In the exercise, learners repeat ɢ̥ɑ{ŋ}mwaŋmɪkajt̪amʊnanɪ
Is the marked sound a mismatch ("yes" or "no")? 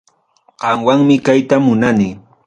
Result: yes